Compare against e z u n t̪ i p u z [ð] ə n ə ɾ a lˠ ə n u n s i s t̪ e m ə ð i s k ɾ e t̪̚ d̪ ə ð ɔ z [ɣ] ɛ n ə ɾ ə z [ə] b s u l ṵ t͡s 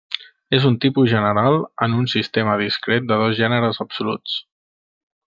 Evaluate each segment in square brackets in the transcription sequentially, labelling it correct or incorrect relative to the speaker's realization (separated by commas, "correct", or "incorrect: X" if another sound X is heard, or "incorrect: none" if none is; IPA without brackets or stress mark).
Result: incorrect: ʒ, incorrect: ʒ, correct